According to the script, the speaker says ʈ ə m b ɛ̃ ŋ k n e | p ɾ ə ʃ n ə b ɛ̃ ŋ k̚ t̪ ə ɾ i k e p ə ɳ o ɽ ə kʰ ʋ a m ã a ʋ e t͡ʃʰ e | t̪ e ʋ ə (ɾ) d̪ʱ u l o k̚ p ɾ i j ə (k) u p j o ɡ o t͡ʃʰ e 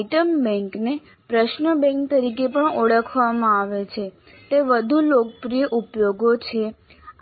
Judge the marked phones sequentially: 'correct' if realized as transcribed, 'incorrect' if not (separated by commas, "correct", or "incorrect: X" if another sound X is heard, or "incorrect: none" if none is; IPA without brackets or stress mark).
incorrect: none, incorrect: ʔ